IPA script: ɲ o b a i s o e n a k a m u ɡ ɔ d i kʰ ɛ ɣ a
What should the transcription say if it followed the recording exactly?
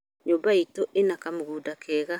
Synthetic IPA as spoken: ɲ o b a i t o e n a k a m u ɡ u d a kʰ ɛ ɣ a